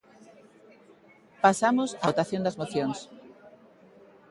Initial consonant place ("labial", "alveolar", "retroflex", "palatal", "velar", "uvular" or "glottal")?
labial